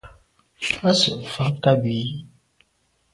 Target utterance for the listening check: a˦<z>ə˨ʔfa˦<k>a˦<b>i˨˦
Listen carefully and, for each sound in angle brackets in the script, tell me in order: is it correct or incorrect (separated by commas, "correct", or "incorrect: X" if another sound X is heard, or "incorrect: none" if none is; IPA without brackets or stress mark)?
incorrect: s, correct, correct